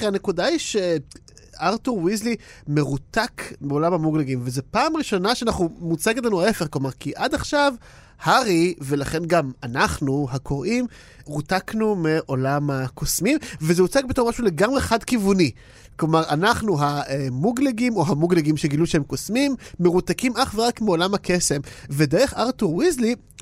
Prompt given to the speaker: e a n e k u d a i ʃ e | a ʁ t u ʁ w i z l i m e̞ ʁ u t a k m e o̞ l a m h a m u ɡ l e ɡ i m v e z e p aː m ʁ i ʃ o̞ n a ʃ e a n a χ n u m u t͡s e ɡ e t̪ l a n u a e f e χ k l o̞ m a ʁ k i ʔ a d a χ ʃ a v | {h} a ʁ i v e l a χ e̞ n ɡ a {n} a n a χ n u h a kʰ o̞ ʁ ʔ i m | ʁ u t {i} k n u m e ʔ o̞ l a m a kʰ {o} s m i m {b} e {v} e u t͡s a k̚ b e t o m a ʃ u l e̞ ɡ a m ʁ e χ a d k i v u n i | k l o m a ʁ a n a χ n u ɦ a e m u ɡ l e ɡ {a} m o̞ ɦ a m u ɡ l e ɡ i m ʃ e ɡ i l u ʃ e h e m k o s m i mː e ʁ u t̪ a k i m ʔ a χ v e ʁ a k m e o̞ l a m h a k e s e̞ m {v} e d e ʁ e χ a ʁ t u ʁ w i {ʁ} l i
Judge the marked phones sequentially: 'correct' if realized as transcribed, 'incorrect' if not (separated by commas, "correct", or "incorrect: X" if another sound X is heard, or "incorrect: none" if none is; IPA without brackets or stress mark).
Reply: correct, incorrect: m, incorrect: a, correct, incorrect: v, incorrect: z, incorrect: i, correct, incorrect: z